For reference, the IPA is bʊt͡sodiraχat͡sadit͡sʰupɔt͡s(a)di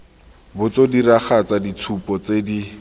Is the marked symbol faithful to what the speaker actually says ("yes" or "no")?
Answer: no